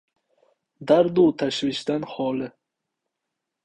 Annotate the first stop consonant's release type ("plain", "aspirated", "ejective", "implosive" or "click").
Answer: plain